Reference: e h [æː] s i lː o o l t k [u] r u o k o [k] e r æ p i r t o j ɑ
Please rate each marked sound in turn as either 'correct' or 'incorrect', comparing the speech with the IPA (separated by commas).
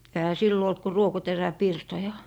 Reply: incorrect, correct, incorrect